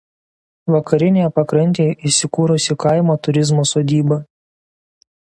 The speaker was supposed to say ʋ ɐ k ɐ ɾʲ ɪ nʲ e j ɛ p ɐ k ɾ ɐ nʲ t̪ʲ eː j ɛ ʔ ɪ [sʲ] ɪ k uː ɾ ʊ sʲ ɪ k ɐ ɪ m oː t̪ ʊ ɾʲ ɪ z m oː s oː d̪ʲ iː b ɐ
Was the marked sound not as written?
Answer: no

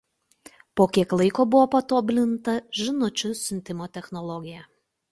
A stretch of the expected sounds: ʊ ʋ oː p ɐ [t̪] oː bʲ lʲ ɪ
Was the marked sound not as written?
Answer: no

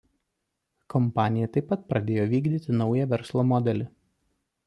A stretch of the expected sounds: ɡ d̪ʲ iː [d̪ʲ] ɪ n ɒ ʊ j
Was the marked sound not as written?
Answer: yes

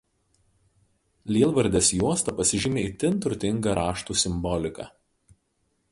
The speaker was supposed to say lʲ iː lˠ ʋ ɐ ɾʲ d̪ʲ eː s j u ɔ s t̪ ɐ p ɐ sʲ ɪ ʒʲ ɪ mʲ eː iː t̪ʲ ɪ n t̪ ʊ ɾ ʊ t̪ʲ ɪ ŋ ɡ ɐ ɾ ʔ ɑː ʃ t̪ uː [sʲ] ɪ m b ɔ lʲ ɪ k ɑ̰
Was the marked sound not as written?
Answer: no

